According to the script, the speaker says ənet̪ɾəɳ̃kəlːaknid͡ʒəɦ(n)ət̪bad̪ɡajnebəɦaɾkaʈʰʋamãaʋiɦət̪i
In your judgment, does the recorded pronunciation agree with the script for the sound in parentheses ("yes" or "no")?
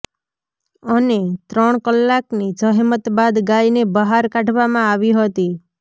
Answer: no